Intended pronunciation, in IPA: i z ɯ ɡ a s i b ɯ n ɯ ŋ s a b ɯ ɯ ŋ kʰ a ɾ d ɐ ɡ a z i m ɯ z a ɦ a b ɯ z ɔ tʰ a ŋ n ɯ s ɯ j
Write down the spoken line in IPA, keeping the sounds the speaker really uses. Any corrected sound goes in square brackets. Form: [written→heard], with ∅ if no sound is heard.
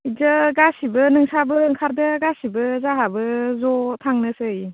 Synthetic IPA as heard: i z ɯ ɡ a s i b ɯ n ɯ ŋ s a b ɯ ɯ ŋ kʰ a ɾ d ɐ ɡ a [z→s] i [m→b] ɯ z a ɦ a b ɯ z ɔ tʰ a ŋ n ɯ s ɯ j